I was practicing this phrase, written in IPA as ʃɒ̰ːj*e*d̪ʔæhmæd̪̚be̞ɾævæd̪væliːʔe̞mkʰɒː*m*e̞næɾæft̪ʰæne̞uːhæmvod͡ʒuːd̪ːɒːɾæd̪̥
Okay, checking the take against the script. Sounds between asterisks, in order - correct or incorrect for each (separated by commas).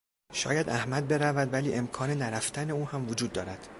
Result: incorrect, incorrect